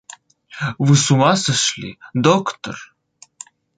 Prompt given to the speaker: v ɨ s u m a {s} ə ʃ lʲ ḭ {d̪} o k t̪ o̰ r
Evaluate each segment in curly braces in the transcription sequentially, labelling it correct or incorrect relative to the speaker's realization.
correct, correct

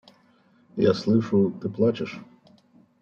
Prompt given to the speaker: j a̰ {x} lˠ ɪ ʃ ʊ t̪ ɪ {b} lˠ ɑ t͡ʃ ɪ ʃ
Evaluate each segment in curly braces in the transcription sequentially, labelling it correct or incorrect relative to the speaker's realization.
incorrect: s, incorrect: p

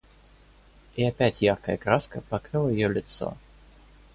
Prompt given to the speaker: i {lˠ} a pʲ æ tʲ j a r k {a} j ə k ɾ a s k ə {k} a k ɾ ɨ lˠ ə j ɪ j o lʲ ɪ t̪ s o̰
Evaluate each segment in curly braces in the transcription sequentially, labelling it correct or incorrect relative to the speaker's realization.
incorrect: none, incorrect: ə, incorrect: p

